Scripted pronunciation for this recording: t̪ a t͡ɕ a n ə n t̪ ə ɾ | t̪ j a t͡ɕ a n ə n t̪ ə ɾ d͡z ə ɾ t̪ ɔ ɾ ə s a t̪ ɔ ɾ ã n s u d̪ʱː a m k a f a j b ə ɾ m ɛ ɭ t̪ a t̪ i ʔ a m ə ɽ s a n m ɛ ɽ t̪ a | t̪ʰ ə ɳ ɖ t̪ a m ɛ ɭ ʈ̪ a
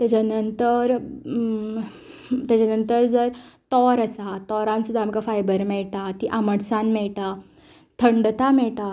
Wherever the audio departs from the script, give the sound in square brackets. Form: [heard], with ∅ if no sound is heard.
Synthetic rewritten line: t̪ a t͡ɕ a n ə n t̪ ə ɾ | t̪ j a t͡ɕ a n ə n t̪ ə ɾ d͡z ə ɾ t̪ ɔ ɾ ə s a t̪ ɔ ɾ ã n s u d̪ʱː a m k a f a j b ə ɾ m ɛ ɭ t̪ a t̪ i ʔ a m ə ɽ s a n m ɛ [ɭ] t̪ a | t̪ʰ ə ɳ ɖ t̪ a m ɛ ɭ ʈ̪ a